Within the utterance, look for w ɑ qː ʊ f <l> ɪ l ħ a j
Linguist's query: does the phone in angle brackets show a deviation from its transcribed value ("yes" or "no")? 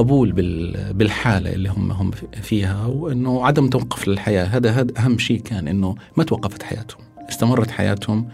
no